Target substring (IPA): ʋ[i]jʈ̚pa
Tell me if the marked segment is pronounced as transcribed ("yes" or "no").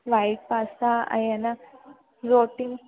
no